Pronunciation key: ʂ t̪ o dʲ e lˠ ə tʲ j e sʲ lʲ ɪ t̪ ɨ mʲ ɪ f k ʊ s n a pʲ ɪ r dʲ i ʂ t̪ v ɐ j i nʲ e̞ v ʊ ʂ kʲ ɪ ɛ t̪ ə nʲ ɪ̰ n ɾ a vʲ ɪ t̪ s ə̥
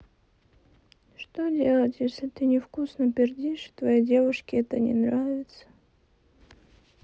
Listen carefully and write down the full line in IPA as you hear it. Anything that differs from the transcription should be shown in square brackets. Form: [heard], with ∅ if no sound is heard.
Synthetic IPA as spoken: ʂ t̪ o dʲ e lˠ ə tʲ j e sʲ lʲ ɪ t̪ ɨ [nʲ] ɪ f k [u] s n [ə] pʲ ɪ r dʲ i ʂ t̪ v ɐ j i [dʲ] e̞ v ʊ ʂ kʲ ɪ ɛ t̪ ə nʲ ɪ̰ n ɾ a vʲ ɪ t̪ s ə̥